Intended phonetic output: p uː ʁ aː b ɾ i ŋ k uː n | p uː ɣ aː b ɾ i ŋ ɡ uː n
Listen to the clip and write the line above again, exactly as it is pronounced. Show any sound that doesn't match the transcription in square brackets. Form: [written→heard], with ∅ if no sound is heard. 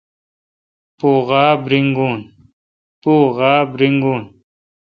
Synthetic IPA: p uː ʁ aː b ɾ i ŋ [k→ɡ] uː n | p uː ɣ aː b ɾ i ŋ ɡ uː n